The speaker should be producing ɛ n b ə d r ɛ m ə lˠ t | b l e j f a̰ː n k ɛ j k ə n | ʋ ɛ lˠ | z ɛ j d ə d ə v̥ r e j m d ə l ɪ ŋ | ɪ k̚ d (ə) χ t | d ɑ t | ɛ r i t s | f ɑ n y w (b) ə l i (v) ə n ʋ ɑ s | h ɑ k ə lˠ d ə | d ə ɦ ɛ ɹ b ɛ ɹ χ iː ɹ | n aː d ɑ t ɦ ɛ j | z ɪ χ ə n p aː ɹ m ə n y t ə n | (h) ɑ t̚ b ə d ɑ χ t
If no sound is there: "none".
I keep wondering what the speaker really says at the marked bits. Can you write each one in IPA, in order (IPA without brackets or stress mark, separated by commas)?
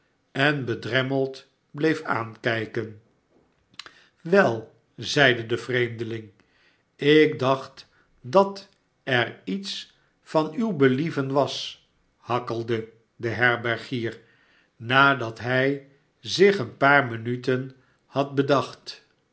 ɑ, b, v, h